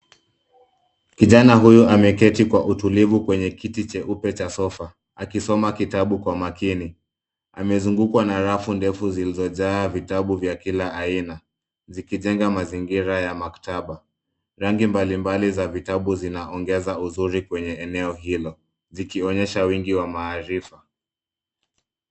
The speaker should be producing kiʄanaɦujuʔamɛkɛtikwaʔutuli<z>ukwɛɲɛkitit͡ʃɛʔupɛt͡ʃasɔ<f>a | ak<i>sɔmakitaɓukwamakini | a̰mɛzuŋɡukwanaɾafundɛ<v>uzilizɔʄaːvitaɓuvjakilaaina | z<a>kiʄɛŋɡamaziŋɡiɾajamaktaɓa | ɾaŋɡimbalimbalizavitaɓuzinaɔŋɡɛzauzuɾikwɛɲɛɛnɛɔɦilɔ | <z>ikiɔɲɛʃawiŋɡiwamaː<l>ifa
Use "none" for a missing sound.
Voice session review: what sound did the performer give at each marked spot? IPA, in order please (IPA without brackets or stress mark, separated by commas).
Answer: v, f, i, f, i, z, ɾ